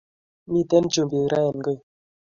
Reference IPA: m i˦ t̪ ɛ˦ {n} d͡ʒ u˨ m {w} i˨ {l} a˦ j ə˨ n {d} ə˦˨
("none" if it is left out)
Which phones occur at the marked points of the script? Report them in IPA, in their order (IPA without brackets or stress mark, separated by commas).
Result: n, b, ɾ, ɡ